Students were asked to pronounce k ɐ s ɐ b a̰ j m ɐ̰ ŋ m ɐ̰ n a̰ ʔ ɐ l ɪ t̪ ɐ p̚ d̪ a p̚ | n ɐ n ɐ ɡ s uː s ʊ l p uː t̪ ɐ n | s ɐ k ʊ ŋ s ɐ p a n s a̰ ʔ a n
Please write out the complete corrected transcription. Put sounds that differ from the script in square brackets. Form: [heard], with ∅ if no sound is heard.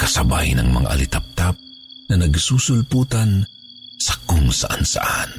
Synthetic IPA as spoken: k ɐ s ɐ b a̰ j [n] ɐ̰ ŋ m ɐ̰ [ŋ] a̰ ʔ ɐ l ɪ t̪ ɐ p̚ [t̪] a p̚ | n ɐ n ɐ ɡ s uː s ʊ l p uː t̪ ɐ n | s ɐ k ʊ ŋ s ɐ [ʔ] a n s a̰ ʔ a n